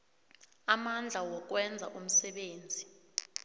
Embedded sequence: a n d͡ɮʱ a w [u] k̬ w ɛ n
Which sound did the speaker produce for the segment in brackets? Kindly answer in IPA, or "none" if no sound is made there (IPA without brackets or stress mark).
ɔ